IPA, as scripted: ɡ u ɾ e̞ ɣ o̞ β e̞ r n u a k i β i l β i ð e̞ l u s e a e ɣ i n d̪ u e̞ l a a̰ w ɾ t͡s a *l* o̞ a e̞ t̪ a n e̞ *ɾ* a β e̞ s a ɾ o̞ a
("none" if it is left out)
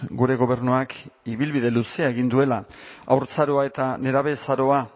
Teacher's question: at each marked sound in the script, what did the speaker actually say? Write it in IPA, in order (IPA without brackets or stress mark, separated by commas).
ɾ, ɾ